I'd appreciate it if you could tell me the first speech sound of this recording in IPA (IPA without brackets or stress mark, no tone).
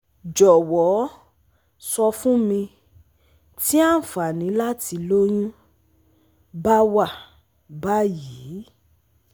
d͡ʒ